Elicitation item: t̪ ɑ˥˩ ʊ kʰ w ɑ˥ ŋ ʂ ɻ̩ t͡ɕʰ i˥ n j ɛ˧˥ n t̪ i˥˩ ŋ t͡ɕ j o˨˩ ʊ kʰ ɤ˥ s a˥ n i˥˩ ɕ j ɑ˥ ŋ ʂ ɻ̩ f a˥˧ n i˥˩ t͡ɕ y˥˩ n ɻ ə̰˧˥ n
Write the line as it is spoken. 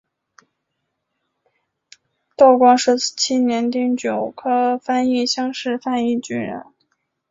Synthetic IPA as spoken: t̪ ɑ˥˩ ʊ k w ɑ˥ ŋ ʂ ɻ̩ t͡ɕʰ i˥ n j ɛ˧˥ n t̪ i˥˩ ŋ t͡ɕ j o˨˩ ʊ kʰ ɤ˥ f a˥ n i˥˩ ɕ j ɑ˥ ŋ ʂ ɻ̩ f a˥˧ n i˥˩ t͡ɕ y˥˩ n ɻ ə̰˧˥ n